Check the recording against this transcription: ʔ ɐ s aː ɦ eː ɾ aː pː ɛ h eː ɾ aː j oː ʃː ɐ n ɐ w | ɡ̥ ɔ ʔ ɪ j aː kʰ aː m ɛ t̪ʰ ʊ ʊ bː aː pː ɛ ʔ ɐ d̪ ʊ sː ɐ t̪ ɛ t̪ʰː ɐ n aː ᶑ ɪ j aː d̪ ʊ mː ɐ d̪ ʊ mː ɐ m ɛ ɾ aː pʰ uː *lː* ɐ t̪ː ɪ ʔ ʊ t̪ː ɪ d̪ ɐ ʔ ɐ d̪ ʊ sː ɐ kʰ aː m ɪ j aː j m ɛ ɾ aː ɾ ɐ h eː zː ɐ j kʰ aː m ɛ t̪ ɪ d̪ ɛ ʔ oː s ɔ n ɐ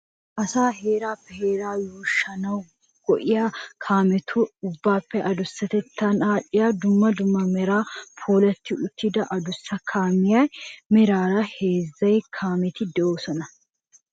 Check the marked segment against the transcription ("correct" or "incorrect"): incorrect